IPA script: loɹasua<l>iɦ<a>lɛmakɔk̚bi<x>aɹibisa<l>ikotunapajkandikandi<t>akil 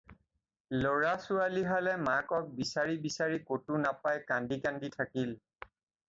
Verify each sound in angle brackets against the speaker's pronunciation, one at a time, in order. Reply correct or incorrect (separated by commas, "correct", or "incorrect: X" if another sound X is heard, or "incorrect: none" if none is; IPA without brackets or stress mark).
correct, correct, incorrect: s, incorrect: ɹ, incorrect: tʰ